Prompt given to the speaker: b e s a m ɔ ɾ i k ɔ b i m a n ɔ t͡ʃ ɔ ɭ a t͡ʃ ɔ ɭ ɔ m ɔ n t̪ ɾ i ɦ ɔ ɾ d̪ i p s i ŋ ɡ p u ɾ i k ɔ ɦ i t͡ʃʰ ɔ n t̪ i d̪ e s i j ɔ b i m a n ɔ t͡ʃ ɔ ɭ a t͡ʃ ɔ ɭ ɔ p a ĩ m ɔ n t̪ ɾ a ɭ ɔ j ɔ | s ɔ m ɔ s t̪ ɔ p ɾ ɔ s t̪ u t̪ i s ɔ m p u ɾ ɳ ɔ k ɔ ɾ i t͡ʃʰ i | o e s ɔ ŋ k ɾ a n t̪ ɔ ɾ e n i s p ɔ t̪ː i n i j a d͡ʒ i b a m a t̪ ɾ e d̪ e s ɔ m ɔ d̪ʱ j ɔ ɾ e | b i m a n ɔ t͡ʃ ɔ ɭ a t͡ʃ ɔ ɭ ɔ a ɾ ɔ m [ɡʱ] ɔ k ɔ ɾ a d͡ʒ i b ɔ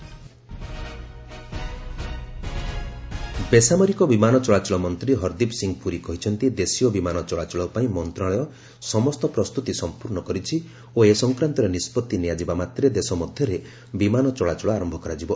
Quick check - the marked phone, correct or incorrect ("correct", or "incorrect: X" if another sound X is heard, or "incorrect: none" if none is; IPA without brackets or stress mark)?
incorrect: bʱ